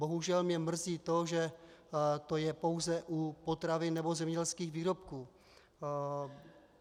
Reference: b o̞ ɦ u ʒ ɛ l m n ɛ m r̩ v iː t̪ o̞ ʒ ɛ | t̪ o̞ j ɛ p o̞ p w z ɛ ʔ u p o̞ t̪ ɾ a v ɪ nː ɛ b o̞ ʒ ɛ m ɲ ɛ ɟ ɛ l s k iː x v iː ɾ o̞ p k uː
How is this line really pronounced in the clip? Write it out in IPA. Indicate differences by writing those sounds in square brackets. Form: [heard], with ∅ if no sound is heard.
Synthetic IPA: b o̞ ɦ u ʒ ɛ l m [ɲ] ɛ m r̩ [z] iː t̪ o̞ ʒ ɛ | t̪ o̞ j ɛ p o̞ [∅] w z ɛ ʔ u p o̞ t̪ ɾ a v ɪ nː ɛ b o̞ [z] ɛ m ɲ ɛ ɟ ɛ l s k iː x v iː ɾ o̞ p k uː